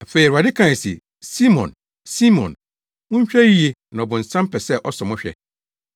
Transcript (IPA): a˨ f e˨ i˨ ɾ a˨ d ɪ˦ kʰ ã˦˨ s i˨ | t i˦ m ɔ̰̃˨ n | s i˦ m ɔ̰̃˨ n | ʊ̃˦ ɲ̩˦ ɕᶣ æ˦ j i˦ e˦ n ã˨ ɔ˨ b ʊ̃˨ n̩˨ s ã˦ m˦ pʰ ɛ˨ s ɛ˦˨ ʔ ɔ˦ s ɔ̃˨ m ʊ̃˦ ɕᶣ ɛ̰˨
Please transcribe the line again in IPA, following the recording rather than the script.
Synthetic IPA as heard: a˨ f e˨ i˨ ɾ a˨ d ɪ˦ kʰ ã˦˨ s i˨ | s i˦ m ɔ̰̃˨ n | s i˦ m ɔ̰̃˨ n | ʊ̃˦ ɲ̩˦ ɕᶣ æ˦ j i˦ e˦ n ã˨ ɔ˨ b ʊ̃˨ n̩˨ s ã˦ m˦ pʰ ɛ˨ s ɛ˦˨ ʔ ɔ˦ s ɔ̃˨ m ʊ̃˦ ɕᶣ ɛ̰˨